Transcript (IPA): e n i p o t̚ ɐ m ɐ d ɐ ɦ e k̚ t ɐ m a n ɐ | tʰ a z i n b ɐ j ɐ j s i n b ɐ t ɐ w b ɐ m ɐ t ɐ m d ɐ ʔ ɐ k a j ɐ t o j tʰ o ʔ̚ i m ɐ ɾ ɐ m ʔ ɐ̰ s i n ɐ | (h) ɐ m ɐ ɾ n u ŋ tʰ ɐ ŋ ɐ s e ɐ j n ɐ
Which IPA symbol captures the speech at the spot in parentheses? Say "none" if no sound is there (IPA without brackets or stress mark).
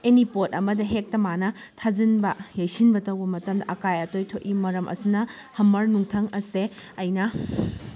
h